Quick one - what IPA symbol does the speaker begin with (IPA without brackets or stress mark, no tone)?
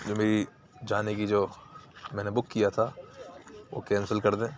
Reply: d͡ʒ